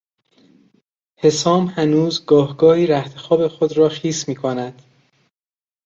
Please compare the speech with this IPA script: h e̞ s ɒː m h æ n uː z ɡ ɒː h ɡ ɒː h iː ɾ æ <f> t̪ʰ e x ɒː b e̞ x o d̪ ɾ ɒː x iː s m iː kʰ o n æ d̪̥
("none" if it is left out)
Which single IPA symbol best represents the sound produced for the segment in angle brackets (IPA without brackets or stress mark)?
h